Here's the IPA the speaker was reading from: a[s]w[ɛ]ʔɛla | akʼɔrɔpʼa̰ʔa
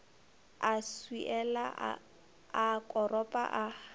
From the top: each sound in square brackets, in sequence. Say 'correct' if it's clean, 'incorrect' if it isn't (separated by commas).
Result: correct, incorrect